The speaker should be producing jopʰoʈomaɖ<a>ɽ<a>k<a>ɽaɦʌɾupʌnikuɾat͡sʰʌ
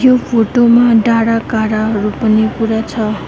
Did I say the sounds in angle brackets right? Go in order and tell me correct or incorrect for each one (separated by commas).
correct, correct, correct